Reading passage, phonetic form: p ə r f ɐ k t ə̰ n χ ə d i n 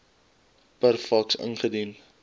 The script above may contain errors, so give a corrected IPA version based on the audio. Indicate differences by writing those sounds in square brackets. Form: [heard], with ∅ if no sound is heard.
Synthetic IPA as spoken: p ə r f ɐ k [s] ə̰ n χ ə d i n